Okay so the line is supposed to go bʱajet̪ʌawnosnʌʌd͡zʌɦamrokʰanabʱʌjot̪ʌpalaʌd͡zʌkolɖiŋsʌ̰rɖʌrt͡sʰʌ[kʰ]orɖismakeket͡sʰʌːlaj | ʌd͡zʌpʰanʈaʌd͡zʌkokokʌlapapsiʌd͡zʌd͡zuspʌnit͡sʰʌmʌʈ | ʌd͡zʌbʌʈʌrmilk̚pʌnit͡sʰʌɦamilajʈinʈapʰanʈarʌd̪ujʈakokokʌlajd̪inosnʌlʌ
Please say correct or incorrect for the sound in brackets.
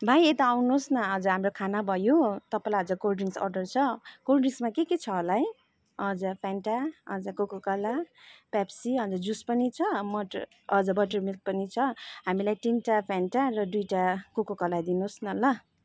incorrect